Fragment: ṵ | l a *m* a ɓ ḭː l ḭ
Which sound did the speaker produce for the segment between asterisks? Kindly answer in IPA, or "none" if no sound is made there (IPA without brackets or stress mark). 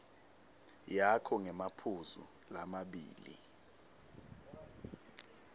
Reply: m